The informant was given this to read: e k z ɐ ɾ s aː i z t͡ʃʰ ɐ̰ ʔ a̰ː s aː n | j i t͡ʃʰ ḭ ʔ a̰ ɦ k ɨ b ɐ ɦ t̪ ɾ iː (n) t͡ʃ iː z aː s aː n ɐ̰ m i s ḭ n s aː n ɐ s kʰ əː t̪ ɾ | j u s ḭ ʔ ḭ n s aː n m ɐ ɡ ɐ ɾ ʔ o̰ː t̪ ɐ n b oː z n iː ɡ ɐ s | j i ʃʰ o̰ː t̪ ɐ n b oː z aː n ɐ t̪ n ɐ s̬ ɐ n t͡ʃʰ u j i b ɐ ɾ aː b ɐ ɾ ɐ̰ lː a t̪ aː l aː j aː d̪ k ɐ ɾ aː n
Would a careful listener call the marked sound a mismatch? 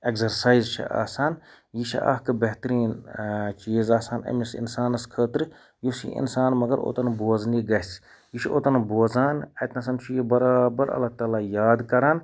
no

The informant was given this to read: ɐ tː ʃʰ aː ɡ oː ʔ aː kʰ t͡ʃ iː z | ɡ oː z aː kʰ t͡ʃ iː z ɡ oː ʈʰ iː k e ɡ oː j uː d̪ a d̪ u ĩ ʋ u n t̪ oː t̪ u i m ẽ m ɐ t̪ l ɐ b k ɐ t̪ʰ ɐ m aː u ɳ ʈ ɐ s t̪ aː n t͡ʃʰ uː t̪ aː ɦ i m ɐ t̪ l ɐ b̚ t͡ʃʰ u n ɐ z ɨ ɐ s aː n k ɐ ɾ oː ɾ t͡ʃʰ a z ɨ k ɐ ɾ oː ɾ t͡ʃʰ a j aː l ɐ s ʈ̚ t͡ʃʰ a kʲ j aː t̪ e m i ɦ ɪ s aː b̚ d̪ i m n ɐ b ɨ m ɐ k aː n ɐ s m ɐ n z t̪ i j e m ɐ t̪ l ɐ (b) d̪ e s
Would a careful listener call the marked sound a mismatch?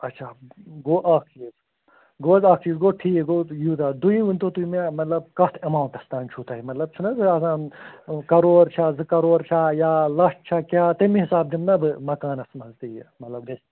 no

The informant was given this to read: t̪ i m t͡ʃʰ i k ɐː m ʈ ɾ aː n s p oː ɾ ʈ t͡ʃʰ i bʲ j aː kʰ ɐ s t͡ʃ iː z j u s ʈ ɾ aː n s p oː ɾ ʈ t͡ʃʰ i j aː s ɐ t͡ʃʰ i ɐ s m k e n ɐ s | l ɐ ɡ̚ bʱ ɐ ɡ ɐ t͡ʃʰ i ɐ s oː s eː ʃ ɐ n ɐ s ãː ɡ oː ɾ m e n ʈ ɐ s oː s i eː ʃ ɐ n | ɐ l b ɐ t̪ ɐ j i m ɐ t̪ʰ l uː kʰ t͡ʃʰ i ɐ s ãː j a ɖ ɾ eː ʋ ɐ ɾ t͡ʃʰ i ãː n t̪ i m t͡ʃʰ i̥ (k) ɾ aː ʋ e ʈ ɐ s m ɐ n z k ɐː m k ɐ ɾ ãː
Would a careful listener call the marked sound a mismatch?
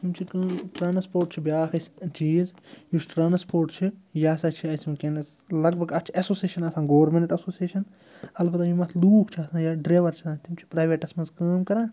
yes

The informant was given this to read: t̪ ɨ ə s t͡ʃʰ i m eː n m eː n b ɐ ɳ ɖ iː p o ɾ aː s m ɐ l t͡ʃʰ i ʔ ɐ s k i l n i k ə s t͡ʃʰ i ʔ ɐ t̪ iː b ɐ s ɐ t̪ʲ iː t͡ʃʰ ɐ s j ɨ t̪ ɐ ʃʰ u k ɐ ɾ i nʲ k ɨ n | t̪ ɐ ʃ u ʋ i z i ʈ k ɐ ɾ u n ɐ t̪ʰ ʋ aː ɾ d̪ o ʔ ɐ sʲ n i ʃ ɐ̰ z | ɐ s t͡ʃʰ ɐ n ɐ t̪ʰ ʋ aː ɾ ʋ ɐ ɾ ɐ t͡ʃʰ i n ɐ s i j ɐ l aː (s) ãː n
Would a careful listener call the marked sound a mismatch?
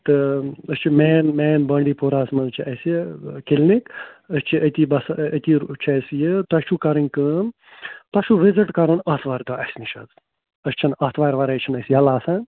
no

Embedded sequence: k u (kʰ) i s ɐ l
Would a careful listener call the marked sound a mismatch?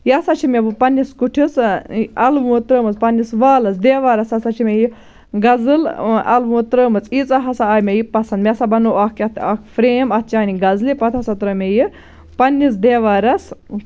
yes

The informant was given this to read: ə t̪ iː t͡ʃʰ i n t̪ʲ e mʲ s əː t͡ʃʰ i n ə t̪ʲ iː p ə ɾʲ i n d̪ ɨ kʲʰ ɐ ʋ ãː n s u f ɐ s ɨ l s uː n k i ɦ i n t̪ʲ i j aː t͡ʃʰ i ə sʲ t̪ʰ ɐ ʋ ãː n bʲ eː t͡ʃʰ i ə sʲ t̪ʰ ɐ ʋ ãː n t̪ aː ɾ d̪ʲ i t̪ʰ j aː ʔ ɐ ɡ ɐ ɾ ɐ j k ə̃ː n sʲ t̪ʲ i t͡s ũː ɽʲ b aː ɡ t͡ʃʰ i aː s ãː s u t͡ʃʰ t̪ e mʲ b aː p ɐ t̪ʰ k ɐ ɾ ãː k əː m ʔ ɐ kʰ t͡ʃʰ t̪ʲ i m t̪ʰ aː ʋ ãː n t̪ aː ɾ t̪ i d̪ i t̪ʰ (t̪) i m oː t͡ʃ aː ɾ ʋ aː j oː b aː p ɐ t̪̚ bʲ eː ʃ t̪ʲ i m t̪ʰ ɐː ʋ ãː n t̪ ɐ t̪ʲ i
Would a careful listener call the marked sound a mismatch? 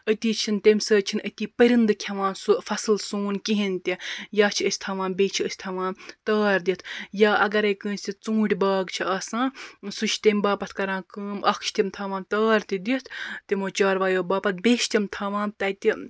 no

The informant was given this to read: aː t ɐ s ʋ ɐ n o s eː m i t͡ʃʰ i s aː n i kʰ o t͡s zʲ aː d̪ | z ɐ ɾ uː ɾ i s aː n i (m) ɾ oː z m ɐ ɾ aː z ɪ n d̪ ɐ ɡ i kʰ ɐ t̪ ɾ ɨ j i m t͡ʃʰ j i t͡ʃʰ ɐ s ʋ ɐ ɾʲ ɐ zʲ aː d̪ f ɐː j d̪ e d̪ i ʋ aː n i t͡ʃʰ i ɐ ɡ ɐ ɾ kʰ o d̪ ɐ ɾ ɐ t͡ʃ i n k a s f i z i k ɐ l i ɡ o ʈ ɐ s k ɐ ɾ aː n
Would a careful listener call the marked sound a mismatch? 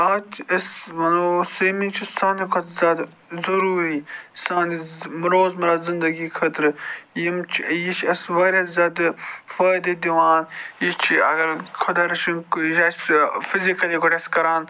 no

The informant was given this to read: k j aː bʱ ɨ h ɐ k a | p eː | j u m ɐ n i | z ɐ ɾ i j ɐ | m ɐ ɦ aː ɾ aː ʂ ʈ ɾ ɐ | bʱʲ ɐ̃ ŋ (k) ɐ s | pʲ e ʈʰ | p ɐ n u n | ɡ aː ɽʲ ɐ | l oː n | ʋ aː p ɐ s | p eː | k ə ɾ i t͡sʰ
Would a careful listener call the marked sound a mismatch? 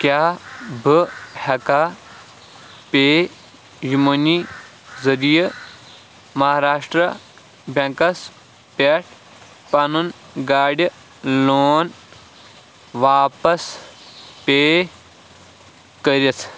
no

